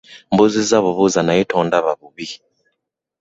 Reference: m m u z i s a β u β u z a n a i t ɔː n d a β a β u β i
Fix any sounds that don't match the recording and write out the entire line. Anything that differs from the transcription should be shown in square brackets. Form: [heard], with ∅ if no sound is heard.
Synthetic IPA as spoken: m [b] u z i [z] a β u β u z a n a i t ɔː n d a β a β u β i